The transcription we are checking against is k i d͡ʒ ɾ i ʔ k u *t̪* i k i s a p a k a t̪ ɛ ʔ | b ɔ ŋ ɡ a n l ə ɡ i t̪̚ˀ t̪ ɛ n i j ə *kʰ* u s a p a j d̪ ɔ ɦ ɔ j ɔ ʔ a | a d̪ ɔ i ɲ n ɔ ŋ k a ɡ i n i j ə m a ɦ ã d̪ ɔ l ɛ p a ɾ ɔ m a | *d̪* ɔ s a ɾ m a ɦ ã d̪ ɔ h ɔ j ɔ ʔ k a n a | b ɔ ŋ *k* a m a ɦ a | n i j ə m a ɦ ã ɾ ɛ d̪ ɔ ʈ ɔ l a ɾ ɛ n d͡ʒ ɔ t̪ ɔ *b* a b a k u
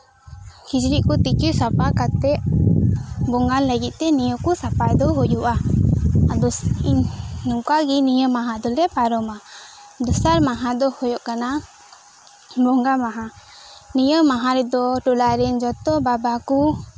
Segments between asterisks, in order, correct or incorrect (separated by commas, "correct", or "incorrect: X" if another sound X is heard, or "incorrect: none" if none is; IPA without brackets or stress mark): correct, incorrect: k, correct, incorrect: ɡ, correct